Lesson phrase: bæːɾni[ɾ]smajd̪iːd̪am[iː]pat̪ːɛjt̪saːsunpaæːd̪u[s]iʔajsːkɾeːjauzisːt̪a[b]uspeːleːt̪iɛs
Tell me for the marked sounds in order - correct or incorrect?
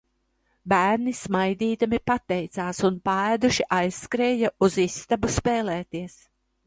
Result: incorrect, incorrect, incorrect, correct

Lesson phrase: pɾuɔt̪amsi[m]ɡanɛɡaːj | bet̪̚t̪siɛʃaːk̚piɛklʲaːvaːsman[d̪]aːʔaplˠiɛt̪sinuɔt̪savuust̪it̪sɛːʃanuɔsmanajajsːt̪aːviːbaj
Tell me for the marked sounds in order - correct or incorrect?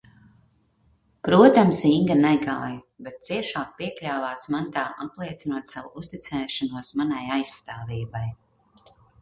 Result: incorrect, incorrect

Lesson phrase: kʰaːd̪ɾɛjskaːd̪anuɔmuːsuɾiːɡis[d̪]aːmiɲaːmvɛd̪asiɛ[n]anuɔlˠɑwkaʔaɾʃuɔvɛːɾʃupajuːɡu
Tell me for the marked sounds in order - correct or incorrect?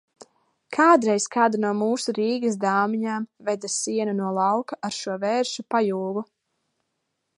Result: correct, correct

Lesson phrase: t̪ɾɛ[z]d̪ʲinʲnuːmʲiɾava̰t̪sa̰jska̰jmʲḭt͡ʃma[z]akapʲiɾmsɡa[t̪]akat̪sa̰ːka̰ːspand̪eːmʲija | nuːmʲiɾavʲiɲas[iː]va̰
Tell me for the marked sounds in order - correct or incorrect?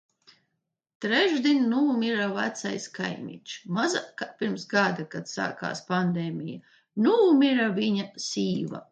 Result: incorrect, correct, incorrect, correct

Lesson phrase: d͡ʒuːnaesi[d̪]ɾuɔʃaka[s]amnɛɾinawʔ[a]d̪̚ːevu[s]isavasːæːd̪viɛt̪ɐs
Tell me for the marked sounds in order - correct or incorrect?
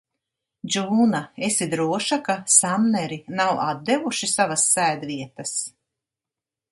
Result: correct, correct, correct, incorrect

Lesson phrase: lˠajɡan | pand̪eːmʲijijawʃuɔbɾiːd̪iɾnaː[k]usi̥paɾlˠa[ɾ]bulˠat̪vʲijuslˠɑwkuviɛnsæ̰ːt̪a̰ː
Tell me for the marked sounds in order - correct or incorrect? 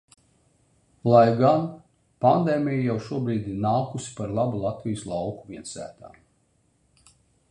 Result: correct, incorrect

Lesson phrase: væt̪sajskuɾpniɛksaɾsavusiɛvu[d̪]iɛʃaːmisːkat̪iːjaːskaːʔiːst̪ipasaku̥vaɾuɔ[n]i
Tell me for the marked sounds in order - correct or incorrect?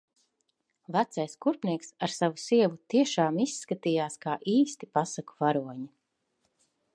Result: incorrect, incorrect

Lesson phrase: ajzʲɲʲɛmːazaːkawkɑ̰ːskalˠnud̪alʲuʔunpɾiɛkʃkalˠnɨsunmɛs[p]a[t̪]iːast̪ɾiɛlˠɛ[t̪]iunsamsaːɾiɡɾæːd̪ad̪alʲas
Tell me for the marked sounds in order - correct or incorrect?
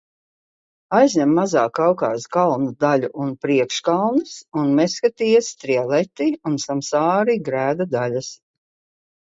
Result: incorrect, correct, correct

